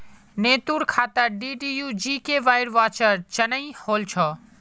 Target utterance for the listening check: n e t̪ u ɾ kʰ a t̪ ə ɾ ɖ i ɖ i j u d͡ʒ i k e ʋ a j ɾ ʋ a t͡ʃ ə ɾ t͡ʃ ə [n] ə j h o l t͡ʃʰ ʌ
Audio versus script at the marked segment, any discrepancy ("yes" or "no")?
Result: no